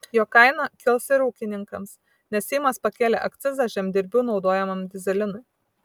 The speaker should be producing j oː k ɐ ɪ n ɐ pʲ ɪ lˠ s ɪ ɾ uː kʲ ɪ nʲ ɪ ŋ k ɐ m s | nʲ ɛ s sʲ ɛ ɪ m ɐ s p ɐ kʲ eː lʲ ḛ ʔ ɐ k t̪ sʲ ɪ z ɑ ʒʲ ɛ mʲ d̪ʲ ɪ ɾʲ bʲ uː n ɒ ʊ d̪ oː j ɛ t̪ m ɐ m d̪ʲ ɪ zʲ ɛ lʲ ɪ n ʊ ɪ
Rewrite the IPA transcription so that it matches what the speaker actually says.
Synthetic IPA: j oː k ɐ ɪ n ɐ kʲ ɪ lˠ s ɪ ɾ uː kʲ ɪ nʲ ɪ ŋ k ɐ m s | nʲ ɛ s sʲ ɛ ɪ m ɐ s p ɐ kʲ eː lʲ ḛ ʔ ɐ k t̪ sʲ ɪ z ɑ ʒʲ ɛ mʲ d̪ʲ ɪ ɾʲ bʲ uː n ɒ ʊ d̪ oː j ɛ m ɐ m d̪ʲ ɪ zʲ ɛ lʲ ɪ n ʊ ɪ